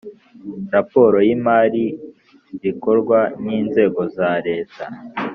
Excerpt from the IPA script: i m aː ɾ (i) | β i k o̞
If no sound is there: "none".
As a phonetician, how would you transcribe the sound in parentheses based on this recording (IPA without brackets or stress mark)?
i